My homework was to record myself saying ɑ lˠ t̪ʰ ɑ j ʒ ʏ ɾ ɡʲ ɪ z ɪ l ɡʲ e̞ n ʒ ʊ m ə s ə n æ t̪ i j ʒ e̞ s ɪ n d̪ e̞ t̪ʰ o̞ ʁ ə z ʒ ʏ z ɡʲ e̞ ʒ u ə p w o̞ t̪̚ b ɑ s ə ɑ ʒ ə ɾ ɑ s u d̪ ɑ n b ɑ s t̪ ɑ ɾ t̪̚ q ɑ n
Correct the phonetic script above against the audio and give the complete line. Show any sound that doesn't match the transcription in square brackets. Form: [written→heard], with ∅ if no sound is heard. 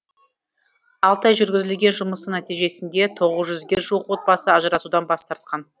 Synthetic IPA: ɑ lˠ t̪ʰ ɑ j ʒ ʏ ɾ ɡʲ ɪ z ɪ l ɡʲ e̞ n ʒ ʊ m ə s ə n æ t̪ i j ʒ e̞ s ɪ n d̪ e̞ t̪ʰ o̞ ʁ ə z ʒ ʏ z ɡʲ e̞ ʒ u ə [p→q] w o̞ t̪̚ b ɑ s ə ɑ ʒ ə ɾ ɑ s u d̪ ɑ n b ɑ s t̪ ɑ ɾ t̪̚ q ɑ n

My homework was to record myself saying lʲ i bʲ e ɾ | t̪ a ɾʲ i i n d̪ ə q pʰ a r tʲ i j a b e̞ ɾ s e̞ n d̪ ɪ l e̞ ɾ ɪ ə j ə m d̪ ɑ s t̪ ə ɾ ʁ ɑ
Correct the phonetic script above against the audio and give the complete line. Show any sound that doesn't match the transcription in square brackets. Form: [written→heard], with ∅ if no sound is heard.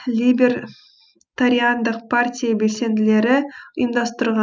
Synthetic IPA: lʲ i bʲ e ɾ | t̪ a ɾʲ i [i→a] n d̪ ə q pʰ a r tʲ i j a b e̞ [ɾ→l] s e̞ n d̪ ɪ l e̞ ɾ ɪ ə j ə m d̪ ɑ s t̪ ə ɾ ʁ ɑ

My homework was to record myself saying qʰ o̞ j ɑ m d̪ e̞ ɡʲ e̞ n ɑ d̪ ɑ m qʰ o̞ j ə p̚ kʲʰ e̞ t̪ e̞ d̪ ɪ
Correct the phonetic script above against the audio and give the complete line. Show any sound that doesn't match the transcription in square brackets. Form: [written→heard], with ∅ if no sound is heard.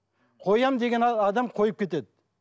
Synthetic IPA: qʰ o̞ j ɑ m d̪ e̞ ɡʲ e̞ n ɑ d̪ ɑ m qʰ o̞ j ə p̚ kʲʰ e̞ t̪ e̞ d̪ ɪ

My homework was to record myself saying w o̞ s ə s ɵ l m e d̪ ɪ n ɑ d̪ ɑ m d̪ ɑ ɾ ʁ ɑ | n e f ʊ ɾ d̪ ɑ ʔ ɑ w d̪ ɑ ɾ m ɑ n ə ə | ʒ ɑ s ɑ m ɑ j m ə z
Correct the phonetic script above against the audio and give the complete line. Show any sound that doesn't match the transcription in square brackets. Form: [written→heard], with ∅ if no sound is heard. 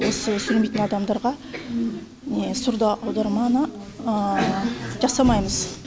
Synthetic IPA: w o̞ s ə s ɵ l m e [d̪→t̪] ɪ n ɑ d̪ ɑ m d̪ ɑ ɾ ʁ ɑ | n e [f→s] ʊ ɾ d̪ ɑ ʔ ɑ w d̪ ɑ ɾ m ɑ n ə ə | ʒ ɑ s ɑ m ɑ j m ə z

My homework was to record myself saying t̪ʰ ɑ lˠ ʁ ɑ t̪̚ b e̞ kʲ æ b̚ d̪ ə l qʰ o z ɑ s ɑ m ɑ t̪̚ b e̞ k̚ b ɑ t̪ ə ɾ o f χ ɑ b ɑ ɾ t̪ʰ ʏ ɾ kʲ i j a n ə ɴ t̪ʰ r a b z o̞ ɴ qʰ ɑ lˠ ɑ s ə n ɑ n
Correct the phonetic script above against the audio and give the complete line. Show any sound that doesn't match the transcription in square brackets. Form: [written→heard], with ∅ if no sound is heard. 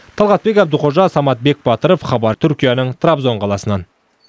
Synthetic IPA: t̪ʰ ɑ lˠ ʁ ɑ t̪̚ b e̞ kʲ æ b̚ d̪ ə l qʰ o [z→ʒ] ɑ s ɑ m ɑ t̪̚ b e̞ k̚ b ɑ t̪ ə ɾ o f χ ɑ b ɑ ɾ t̪ʰ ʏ ɾ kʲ i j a n ə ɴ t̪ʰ r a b z o̞ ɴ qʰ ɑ lˠ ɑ s ə n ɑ n

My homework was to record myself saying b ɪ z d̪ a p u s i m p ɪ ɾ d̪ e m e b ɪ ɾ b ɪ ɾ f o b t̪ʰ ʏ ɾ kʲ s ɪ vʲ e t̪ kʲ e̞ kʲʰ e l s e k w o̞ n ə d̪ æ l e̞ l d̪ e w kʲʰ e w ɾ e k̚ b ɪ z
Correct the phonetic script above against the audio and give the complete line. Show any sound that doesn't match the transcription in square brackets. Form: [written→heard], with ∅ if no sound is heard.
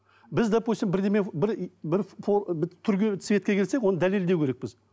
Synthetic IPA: b ɪ z d̪ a p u s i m [p→b] ɪ ɾ d̪ e m e b ɪ ɾ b ɪ ɾ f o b t̪ʰ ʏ ɾ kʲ s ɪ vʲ e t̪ kʲ e̞ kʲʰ e l s e k w o̞ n ə d̪ æ l e̞ l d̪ e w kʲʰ e [w→∅] ɾ e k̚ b ɪ z

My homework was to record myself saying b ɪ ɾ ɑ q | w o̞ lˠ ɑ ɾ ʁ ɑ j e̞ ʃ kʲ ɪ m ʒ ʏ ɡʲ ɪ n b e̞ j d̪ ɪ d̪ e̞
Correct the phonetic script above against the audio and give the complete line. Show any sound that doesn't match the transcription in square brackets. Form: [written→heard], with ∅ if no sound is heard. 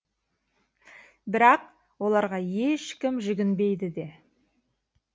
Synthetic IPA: b ɪ ɾ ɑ q | w o̞ lˠ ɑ ɾ ʁ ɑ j e̞ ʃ kʲ ɪ m ʒ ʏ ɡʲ ɪ n b e̞ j d̪ ɪ d̪ e̞

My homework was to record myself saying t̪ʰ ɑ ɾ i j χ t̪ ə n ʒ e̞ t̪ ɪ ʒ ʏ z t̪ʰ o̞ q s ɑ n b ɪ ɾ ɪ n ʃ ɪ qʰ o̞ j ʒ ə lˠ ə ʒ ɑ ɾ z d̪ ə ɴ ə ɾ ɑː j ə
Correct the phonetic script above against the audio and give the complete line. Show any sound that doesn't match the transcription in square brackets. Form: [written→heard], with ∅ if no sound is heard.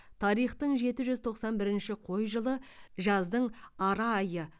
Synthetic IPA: t̪ʰ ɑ ɾ i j χ t̪ ə [n→ɴ] ʒ e̞ t̪ ɪ ʒ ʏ z t̪ʰ o̞ q s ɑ n b ɪ ɾ ɪ n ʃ ɪ qʰ o̞ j ʒ ə lˠ ə ʒ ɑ [ɾ→∅] z d̪ ə ɴ [ə→ɑ] ɾ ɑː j ə

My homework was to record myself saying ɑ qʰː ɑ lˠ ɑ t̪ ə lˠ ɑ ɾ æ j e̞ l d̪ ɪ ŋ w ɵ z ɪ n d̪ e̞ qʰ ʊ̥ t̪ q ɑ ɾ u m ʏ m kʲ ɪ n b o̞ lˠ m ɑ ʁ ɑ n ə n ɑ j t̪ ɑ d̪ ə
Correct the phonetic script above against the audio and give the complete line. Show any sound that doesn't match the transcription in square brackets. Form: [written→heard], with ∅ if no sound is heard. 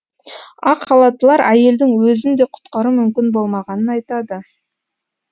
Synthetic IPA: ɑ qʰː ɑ lˠ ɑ t̪ ə lˠ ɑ ɾ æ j e̞ l d̪ ɪ ŋ w ɵ z ɪ n d̪ e̞ qʰ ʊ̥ t̪ q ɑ ɾ u m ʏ m kʲ ɪ n b o̞ lˠ m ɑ ʁ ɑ n ə n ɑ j t̪ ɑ d̪ ə

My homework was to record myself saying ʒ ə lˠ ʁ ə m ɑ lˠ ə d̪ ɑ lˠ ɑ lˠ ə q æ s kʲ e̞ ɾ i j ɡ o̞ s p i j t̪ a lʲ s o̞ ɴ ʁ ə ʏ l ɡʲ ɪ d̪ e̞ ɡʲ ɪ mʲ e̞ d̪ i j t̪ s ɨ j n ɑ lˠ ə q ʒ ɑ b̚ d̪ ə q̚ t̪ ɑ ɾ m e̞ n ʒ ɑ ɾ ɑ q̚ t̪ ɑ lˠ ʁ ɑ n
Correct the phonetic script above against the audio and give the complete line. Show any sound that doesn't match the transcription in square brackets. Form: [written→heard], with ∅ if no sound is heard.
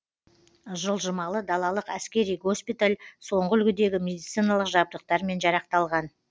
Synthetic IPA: ʒ ə lˠ [ʁ→ʒ] ə m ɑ lˠ ə d̪ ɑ lˠ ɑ lˠ ə q æ s kʲ e̞ ɾ i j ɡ o̞ s p i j t̪ a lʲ s o̞ ɴ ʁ ə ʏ l ɡʲ ɪ d̪ e̞ ɡʲ ɪ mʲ e̞ d̪ i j t̪ s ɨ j n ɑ lˠ ə q ʒ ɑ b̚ d̪ ə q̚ t̪ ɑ ɾ m e̞ n ʒ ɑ ɾ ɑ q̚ t̪ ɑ lˠ ʁ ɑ n

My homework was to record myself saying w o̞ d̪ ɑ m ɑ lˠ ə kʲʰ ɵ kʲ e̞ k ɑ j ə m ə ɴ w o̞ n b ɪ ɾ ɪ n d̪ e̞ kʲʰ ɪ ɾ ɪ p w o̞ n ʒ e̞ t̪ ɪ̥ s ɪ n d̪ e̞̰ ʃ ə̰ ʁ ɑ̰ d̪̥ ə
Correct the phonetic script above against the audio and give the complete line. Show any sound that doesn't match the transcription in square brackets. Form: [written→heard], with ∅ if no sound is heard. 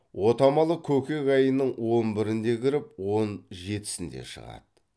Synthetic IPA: w o̞ [d̪→t̪] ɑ m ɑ lˠ ə kʲʰ ɵ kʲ e̞ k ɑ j ə [m→n] ə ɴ w o̞ n b ɪ ɾ ɪ n d̪ e̞ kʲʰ ɪ ɾ ɪ p w o̞ n ʒ e̞ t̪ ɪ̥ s ɪ n d̪ e̞̰ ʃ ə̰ ʁ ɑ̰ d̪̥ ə

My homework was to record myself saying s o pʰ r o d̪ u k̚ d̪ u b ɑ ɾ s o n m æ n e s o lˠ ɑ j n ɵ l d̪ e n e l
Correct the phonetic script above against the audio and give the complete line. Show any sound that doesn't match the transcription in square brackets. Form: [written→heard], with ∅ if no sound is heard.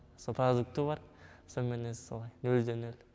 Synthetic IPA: s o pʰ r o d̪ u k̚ [d̪→t̪] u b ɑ ɾ s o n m [æ→e] n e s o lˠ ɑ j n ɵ l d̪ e n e l

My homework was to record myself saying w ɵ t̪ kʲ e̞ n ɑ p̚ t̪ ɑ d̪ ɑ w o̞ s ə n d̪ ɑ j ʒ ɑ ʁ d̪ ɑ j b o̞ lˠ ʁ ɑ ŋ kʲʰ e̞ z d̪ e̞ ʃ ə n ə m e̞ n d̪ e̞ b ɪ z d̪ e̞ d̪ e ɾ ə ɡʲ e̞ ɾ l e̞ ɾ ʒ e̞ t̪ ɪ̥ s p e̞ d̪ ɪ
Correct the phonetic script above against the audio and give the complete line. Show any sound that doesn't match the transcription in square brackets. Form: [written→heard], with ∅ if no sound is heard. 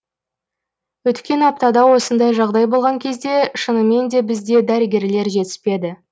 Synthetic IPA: w ɵ t̪ kʲ e̞ n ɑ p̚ t̪ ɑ d̪ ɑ w o̞ s ə n d̪ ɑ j ʒ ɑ ʁ d̪ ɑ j b o̞ lˠ ʁ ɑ ŋ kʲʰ e̞ z d̪ e̞ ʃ ə n ə m e̞ n d̪ e̞ b ɪ z d̪ e̞ d̪ [e→æ] ɾ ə ɡʲ e̞ ɾ l e̞ ɾ ʒ e̞ t̪ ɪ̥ s p e̞ d̪ ɪ

